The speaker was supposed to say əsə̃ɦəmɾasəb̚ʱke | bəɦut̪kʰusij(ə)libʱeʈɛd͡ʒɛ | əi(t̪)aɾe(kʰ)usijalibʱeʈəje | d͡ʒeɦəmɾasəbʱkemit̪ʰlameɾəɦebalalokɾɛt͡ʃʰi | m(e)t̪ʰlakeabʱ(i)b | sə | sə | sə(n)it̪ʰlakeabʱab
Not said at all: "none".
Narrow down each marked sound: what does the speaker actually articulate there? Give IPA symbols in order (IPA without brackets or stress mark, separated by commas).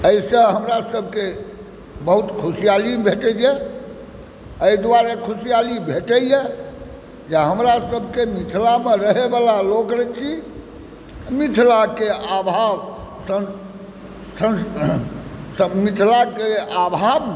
a, d̪, kʰ, i, a, m